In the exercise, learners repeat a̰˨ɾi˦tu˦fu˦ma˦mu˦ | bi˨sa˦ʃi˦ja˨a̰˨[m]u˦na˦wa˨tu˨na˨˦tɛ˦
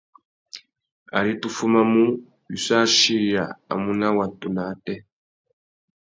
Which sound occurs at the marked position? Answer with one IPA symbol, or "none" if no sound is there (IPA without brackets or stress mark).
m